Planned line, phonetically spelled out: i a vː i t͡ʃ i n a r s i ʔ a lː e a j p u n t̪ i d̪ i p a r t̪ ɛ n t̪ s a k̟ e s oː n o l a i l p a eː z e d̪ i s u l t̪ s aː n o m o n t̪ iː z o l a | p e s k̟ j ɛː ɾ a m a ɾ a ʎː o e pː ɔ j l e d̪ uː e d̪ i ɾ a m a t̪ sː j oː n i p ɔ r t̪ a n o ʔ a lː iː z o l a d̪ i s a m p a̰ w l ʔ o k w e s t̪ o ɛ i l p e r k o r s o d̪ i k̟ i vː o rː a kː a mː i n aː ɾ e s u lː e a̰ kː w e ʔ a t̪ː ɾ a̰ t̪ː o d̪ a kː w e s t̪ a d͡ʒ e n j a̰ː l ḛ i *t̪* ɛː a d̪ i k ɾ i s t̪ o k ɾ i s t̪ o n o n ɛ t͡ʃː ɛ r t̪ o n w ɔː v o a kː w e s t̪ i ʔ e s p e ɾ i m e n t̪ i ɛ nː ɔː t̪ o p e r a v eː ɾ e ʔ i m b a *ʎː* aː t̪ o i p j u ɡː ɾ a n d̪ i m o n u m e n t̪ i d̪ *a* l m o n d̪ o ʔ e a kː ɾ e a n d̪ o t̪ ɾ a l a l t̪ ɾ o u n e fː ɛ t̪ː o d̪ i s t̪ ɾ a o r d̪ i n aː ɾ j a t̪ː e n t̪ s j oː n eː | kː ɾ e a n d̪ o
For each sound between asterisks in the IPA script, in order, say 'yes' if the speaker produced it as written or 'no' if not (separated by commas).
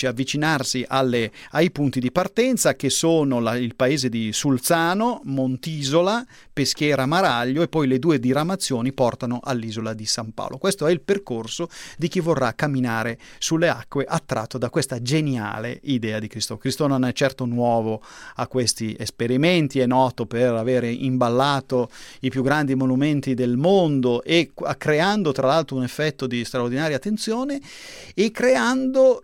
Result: no, no, no